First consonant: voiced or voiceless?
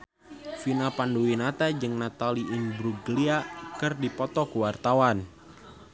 voiceless